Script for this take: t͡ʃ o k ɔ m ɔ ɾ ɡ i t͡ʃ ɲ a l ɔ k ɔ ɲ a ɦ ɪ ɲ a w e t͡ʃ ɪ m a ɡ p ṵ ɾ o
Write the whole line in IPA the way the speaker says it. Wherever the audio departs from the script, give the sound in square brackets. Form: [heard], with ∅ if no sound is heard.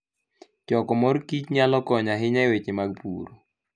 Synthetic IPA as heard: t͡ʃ [ɔ] k ɔ m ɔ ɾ [k] i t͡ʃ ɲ a l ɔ k ɔ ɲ a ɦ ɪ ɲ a w e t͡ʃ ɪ m a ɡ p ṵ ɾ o